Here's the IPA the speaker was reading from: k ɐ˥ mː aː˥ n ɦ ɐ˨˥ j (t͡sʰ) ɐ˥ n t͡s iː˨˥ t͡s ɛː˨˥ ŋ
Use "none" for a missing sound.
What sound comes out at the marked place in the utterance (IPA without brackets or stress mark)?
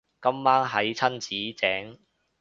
t͡sʰ